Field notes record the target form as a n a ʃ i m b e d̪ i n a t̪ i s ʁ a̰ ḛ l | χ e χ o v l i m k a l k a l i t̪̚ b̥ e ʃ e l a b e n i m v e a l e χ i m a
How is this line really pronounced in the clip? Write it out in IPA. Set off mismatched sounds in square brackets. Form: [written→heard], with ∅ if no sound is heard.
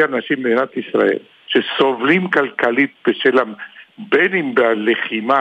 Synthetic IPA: a n a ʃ i m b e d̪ i n a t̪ i s ʁ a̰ ḛ l | [χ→ʃ] e [χ→s] o v l i m k a l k a l i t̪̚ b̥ e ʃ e l a b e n i m [v→b] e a l e χ i m a